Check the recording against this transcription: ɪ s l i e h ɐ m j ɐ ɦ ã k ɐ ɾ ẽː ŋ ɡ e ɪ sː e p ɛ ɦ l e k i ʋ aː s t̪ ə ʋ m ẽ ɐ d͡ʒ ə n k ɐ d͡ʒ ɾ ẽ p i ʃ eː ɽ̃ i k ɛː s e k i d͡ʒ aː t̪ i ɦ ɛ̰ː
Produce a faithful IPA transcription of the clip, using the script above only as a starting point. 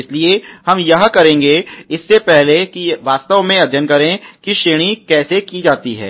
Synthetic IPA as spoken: ɪ s l i e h ɐ m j ɐ ɦ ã k ɐ ɾ ẽː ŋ ɡ e ɪ sː e p ɛ ɦ l e k i ʋ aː s t̪ ə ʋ m ẽ ɐ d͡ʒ ə n k ɐ ɾ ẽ k i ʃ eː ɽ̃ i k ɛː s e k i d͡ʒ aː t̪ i ɦ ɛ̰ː